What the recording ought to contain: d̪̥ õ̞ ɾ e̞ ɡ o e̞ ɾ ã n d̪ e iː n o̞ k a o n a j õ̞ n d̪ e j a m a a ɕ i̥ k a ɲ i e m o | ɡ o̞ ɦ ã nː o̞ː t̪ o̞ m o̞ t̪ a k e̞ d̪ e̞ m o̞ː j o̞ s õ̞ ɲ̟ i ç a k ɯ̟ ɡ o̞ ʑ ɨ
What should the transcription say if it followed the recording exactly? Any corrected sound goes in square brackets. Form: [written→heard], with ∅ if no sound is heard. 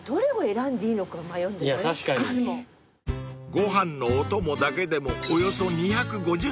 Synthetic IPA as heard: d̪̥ [õ̞→o̞] ɾ e̞ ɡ o e̞ ɾ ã n d̪ e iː n o̞ k a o [n→m] a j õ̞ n d̪ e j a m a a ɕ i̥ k a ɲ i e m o | ɡ o̞ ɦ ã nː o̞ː t̪ o̞ m o̞ [t̪→d̪] a k e̞ d̪ e̞ m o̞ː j o̞ s [õ̞→o̞] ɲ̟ i ç a k ɯ̟ ɡ o̞ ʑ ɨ